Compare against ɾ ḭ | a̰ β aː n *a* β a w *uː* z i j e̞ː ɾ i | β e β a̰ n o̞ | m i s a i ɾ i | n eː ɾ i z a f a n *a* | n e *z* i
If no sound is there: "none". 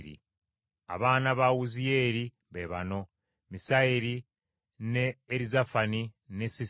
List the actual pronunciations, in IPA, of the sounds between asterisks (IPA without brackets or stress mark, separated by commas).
a, u, i, s